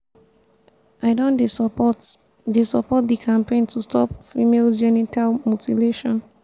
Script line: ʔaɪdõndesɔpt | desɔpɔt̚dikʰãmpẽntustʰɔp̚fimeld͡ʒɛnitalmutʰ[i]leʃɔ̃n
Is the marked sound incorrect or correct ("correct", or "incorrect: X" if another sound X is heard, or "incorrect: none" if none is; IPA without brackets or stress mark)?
correct